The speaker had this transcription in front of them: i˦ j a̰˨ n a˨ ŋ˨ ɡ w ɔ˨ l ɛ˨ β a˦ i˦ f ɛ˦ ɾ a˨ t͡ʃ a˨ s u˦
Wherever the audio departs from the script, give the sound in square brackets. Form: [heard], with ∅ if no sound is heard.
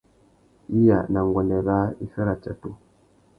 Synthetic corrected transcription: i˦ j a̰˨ n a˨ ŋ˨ ɡ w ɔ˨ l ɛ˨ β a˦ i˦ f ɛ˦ ɾ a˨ t͡ʃ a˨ [t] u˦